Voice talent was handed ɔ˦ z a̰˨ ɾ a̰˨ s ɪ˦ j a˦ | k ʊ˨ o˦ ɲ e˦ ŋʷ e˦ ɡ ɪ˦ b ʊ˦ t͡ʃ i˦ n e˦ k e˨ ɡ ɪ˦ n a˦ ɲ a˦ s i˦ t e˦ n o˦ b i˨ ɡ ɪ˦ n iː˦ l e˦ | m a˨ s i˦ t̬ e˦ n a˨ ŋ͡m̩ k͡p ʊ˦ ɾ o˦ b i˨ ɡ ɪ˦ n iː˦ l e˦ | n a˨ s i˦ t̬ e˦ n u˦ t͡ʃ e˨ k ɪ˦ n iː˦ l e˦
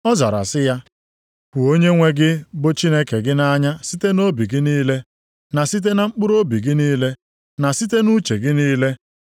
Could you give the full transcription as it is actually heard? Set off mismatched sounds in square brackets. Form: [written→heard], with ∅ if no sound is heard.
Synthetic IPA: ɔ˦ z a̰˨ ɾ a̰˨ s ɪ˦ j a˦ | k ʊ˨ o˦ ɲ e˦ ŋʷ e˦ ɡ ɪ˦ b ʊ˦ t͡ʃ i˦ n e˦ k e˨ ɡ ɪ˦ n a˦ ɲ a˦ s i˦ t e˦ n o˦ b i˨ ɡ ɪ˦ n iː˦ l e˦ | [m→n] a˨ s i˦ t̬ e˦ n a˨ ŋ͡m̩ k͡p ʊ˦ ɾ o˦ b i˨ ɡ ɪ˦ n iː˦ l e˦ | n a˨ s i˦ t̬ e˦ n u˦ t͡ʃ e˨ [k→ɡ] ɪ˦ n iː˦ l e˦